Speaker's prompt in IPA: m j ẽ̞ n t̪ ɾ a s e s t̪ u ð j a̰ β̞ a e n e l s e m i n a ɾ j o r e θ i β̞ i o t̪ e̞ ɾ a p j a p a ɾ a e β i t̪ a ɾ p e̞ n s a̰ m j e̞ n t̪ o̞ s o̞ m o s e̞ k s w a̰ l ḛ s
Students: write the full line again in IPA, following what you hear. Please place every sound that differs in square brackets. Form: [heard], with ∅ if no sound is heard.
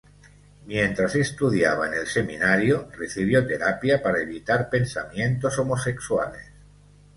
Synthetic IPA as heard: m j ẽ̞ n t̪ ɾ a s e s t̪ u ð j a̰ β̞ a e n e l s e m i n a ɾ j o r e θ i β̞ [j] o t̪ e̞ ɾ a p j a p a ɾ a e β i t̪ a ɾ p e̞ n s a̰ m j e̞ n t̪ o̞ s o̞ m o s e̞ k s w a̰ l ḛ s